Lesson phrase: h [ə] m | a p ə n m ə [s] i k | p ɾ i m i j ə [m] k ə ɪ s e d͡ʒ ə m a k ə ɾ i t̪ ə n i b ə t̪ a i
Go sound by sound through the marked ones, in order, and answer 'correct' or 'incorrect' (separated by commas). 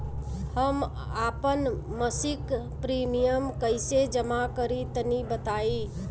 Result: correct, correct, correct